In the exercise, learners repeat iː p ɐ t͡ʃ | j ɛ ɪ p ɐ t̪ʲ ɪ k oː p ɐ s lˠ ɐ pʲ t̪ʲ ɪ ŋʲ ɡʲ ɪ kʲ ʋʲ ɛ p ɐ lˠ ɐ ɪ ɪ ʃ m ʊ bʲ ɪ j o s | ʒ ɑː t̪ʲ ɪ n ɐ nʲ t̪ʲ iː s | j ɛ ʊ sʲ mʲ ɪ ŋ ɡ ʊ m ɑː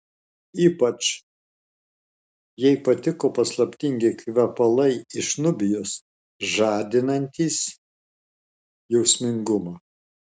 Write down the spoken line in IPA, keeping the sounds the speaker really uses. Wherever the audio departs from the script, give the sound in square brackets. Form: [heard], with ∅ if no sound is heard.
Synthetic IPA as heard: iː p ɐ t͡ʃ | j ɛ ɪ p ɐ t̪ʲ ɪ k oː p ɐ s lˠ ɐ pʲ t̪ʲ ɪ ŋʲ ɡʲ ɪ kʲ ʋʲ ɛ p ɐ lˠ ɐ ɪ ɪ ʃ [n] ʊ bʲ ɪ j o s | ʒ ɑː [d̪ʲ] ɪ n ɐ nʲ t̪ʲ iː s | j ɛ ʊ sʲ mʲ ɪ ŋ ɡ ʊ m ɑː